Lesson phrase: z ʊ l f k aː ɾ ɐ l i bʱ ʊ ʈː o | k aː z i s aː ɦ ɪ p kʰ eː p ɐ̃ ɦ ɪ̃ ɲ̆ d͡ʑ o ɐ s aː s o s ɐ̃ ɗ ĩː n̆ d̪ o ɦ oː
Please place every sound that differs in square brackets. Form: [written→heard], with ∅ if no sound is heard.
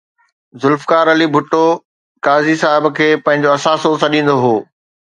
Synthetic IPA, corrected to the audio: z ʊ l f k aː ɾ ɐ l i bʱ ʊ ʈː o | k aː z i s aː ɦ ɪ [p→b] kʰ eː p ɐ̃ ɦ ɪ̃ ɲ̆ d͡ʑ o ɐ s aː s o s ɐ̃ ɗ ĩː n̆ d̪ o ɦ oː